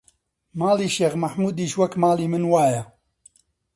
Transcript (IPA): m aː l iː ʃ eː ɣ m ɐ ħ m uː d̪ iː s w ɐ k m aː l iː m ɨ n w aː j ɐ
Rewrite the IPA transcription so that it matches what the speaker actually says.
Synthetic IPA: m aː l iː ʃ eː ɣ m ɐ ħ m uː d̪ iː ʃ w ɐ k m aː l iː m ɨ n w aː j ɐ